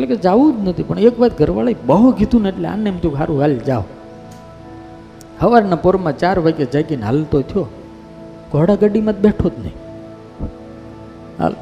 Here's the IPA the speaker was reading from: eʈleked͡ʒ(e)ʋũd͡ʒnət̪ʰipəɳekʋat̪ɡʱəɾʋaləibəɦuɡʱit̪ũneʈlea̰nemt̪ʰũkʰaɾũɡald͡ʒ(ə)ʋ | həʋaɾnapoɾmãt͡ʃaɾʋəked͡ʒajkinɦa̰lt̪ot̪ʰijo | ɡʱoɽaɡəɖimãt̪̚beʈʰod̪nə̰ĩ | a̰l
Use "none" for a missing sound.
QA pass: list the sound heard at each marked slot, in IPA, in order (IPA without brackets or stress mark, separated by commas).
a, a